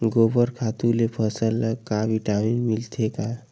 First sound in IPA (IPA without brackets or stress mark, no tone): ɡ